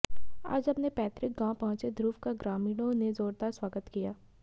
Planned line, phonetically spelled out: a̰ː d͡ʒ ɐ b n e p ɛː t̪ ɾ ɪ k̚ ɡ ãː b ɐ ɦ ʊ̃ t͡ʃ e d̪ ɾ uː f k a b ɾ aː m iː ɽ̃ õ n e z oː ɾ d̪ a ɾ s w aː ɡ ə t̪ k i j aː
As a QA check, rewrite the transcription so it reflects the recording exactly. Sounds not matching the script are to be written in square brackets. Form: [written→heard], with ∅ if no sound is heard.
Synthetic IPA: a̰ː d͡ʒ ɐ b n e p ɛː t̪ ɾ ɪ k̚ ɡ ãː [b→p] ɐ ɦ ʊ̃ t͡ʃ e d̪ ɾ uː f k a [b→ɡ] ɾ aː m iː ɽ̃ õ n e z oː ɾ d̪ a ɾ s w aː ɡ ə t̪ k i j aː

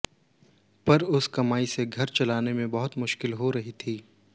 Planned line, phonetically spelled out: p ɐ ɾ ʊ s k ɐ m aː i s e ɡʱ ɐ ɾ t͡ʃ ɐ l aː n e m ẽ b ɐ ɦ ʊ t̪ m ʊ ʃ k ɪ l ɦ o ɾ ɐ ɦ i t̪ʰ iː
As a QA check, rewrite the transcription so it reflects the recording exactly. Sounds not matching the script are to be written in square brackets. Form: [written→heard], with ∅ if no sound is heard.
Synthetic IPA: p ɐ ɾ ʊ s k ɐ m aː i s e ɡʱ ɐ ɾ t͡ʃ ɐ l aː n e m ẽ b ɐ ɦ ʊ t̪ m ʊ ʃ k ɪ l ɦ o ɾ ɐ ɦ i t̪ʰ iː

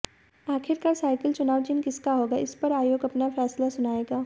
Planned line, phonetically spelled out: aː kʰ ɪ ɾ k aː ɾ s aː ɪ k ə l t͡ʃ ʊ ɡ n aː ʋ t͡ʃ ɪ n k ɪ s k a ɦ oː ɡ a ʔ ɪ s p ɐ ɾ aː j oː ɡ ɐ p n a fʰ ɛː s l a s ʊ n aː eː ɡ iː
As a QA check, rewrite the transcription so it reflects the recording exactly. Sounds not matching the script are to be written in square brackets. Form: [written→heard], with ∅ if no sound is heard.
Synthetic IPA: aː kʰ ɪ ɾ k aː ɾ s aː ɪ k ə l t͡ʃ ʊ [ɡ→∅] n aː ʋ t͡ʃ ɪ n k ɪ s k a ɦ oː ɡ a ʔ ɪ s p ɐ ɾ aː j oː ɡ ɐ p n a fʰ ɛː s l a s ʊ n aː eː ɡ [iː→aː]

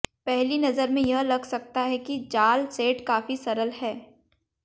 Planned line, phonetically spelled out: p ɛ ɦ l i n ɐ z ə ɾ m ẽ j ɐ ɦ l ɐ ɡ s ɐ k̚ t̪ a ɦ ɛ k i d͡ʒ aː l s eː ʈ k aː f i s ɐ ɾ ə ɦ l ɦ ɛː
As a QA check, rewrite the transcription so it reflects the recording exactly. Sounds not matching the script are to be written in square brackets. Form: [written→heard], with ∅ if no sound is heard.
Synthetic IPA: p ɛ ɦ l i n ɐ z ə ɾ m ẽ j ɐ ɦ l ɐ ɡ s ɐ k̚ t̪ a ɦ ɛ k i d͡ʒ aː l s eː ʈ k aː f i s ɐ ɾ ə [ɦ→∅] l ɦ ɛː

